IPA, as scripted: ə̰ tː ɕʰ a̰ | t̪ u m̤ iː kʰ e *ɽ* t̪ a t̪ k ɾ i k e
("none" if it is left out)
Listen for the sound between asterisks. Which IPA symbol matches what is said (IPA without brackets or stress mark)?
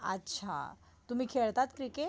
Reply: ɭ